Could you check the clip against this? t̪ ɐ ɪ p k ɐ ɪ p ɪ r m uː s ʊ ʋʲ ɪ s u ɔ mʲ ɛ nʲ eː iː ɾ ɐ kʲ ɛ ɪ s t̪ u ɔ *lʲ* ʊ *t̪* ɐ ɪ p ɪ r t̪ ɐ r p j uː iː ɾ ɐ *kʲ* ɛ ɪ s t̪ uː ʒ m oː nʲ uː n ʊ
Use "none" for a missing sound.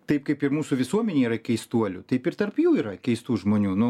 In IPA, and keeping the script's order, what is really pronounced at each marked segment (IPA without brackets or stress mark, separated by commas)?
lʲ, t̪, kʲ